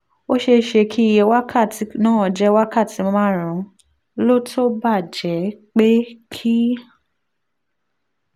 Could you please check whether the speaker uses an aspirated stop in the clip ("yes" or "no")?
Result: yes